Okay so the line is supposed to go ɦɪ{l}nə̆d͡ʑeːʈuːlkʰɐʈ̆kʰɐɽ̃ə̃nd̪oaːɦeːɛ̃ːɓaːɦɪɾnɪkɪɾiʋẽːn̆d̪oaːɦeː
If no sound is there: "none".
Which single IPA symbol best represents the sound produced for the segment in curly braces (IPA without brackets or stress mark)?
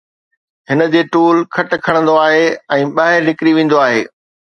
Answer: none